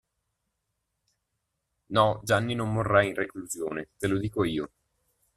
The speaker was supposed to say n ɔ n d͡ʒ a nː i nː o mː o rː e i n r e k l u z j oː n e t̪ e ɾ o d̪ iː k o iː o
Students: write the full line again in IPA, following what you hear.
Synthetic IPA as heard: n ɔ d͡ʒ a nː i n o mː o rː a i n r e k l u z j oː n e t̪ e l o d̪ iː k o iː o